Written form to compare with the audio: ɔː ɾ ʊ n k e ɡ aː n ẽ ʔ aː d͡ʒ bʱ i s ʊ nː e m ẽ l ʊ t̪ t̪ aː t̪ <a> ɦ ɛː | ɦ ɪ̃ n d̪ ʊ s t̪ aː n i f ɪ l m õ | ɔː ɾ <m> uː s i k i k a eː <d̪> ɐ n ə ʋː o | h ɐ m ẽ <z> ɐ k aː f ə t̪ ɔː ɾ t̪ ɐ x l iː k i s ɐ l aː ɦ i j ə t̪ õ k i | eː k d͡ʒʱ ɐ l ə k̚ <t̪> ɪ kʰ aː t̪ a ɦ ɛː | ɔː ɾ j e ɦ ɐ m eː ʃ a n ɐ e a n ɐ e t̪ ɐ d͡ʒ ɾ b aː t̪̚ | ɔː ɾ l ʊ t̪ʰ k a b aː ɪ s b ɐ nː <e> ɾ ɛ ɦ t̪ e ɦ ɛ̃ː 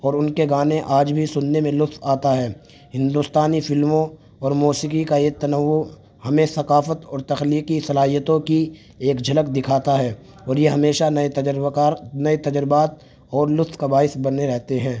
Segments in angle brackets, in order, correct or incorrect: correct, correct, incorrect, incorrect, incorrect, correct

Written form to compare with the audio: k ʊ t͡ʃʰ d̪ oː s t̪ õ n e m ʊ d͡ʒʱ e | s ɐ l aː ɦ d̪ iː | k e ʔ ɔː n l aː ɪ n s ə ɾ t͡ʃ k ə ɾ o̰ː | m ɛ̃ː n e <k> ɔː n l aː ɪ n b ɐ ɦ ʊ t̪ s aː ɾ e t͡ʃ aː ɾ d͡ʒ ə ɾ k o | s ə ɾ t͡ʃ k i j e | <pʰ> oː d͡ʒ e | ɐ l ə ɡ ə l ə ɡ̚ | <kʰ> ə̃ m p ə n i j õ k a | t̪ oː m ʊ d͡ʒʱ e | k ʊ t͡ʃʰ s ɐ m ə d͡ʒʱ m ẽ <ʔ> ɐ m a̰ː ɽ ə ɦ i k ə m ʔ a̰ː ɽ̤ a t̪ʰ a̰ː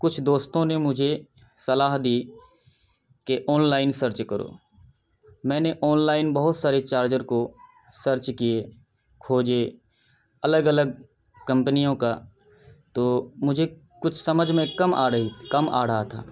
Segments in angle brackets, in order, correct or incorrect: incorrect, incorrect, incorrect, incorrect

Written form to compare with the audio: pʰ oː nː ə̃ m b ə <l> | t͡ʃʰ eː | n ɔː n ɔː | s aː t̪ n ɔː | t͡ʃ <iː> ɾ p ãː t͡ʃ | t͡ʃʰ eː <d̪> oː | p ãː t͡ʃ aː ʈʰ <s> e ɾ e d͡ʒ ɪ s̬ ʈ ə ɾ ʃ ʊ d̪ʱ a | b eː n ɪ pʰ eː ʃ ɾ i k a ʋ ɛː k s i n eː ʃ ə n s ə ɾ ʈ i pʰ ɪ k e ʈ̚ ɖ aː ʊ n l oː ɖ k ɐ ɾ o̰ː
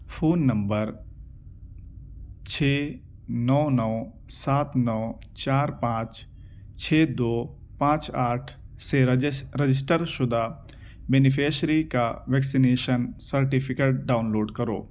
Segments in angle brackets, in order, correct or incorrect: incorrect, incorrect, correct, correct

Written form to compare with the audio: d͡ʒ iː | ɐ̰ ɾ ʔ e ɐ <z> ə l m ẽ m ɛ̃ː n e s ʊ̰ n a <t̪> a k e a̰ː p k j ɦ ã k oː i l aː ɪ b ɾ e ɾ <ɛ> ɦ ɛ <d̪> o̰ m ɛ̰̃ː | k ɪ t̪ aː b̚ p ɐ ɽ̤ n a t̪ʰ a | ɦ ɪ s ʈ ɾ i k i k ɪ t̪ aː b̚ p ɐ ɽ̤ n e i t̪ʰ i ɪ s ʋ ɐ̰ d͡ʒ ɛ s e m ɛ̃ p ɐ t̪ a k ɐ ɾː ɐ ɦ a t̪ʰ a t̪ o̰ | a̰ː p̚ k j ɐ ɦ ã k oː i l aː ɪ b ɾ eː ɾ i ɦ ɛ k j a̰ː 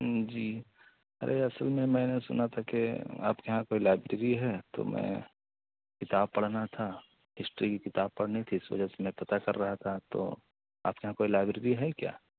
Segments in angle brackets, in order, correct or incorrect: incorrect, incorrect, incorrect, incorrect

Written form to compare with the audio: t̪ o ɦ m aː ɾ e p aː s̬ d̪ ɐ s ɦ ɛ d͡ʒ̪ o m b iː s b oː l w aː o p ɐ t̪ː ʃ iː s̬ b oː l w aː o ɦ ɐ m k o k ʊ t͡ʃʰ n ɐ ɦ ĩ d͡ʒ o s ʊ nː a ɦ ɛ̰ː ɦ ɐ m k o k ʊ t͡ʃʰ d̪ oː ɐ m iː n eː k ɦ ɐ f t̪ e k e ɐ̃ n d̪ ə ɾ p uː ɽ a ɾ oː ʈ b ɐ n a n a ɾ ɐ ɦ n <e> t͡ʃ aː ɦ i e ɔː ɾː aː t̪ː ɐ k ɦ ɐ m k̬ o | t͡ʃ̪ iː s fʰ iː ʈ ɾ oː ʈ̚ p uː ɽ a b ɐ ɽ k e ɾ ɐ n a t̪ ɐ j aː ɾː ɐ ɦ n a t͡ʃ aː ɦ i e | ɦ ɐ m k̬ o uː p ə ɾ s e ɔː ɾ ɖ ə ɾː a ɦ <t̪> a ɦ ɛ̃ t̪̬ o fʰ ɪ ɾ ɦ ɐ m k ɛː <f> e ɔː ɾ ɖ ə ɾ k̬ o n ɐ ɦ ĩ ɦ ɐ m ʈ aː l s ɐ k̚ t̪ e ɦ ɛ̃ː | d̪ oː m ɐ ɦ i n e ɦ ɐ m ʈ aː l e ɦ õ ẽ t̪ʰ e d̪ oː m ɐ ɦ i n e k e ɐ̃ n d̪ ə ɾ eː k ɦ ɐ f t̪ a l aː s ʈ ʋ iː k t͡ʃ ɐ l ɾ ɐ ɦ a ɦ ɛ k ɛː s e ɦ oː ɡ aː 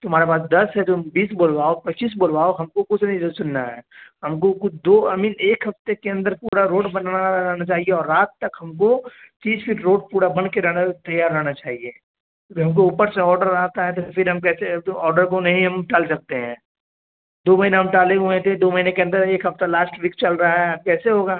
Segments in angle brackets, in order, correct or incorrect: incorrect, correct, incorrect

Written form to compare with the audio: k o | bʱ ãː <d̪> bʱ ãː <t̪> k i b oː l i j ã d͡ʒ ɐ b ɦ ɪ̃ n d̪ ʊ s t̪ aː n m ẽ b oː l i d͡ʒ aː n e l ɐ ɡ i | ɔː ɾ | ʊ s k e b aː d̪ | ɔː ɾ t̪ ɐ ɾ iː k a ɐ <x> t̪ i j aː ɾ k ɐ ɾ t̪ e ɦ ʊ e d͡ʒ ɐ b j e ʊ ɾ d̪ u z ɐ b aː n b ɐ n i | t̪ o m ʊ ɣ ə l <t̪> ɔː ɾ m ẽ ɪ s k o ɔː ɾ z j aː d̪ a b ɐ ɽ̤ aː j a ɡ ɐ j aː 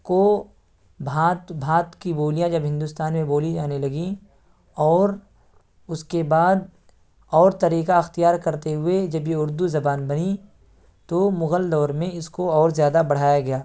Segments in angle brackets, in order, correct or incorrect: incorrect, correct, correct, incorrect

